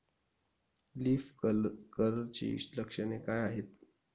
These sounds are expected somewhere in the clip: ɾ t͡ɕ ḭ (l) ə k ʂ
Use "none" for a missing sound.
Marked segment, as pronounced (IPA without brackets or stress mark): l